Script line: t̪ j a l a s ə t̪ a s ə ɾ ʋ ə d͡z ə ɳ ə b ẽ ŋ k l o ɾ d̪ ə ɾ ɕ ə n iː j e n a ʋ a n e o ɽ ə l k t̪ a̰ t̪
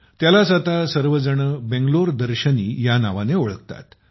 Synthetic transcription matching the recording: t̪ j a l a s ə t̪ a s ə ɾ ʋ ə d͡z ə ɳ ə b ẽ ŋ ɡ l o ɾ d̪ ə ɾ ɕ ə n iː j a n a ʋ a n e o ɭ ə k t̪ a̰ t̪

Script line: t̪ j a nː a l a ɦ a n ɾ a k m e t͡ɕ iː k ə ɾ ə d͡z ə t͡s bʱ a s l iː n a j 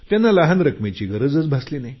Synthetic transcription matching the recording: t̪ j a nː a l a ɦ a n ɾ ə k m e t͡ɕ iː ɡ ə ɾ ə d͡z ə t͡s bʱ a s l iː n a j

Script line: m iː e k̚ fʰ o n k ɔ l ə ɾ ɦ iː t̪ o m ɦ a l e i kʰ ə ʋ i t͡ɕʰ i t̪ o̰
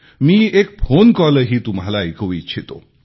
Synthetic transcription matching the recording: m iː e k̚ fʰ o n k ɔ l ə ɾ ɦ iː t̪ u m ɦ a l a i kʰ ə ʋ i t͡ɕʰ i t̪ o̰

